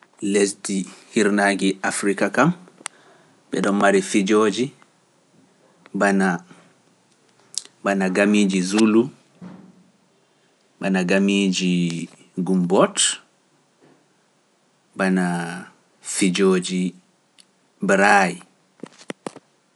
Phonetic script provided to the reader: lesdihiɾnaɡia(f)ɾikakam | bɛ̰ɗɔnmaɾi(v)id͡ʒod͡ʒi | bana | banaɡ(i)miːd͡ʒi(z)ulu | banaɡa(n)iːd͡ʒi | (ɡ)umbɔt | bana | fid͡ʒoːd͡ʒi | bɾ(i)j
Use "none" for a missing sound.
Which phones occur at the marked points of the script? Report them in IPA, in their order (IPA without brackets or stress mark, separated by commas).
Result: f, f, a, z, m, ɡ, a